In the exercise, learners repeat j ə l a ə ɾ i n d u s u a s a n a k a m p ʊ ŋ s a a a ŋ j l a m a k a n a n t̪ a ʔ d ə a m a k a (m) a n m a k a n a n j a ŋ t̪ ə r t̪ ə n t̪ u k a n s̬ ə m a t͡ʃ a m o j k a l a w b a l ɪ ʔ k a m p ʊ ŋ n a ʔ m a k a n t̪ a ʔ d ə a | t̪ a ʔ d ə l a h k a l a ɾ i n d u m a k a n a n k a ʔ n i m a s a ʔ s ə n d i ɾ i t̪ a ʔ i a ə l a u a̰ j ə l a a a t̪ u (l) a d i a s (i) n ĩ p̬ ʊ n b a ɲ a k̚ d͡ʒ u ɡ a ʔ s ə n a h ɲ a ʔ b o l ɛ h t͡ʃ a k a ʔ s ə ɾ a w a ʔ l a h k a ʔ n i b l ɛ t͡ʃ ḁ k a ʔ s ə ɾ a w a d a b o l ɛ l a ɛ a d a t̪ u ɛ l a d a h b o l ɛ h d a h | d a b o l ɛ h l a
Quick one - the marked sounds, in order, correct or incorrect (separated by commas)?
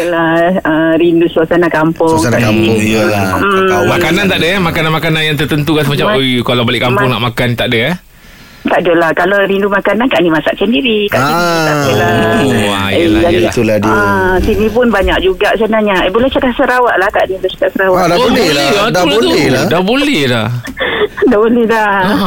incorrect, correct, correct